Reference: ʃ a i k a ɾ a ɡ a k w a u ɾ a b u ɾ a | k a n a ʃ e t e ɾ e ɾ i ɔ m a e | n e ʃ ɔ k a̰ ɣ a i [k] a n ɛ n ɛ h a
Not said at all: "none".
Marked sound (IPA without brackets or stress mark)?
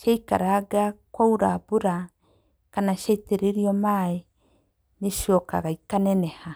k